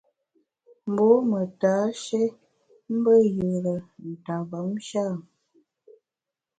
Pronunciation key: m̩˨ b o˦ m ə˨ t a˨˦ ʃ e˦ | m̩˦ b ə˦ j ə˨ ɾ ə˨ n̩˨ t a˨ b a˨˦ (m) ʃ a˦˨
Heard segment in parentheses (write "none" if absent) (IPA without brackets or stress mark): m